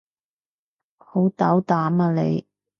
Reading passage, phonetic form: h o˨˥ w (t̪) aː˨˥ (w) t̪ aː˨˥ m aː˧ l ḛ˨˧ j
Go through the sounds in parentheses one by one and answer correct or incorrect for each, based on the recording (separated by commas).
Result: correct, correct